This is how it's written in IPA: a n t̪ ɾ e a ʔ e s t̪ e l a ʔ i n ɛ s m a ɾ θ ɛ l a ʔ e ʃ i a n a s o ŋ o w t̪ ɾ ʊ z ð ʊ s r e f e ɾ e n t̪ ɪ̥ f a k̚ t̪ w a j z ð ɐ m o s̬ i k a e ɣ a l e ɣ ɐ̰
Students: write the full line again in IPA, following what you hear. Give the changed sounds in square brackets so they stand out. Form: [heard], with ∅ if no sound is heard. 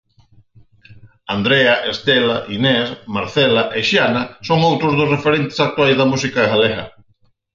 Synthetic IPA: a n [d̪] ɾ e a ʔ e s t̪ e l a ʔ i n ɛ s m a ɾ θ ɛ l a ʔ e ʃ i a n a s o ŋ o w t̪ ɾ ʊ z ð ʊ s r e f e ɾ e n t̪ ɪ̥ [s] a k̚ t̪ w a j z ð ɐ m [u] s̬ i k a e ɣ a l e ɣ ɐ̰